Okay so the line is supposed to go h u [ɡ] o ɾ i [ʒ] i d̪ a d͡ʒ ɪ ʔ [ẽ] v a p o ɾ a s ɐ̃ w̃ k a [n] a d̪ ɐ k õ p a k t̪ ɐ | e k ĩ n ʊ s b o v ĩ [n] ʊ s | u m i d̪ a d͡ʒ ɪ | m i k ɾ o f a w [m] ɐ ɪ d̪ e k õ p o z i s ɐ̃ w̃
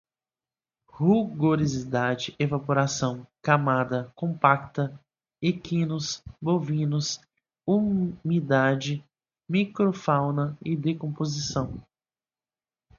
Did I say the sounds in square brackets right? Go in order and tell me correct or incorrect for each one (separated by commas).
correct, incorrect, incorrect, incorrect, correct, incorrect